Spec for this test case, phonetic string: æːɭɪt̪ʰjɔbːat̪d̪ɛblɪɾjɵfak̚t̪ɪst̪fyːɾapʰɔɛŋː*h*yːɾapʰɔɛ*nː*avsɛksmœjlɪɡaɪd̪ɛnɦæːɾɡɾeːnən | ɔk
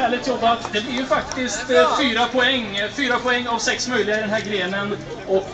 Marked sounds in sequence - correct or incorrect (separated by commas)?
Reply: incorrect, incorrect